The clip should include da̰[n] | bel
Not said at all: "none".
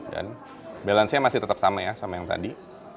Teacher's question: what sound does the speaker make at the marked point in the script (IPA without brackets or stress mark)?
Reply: n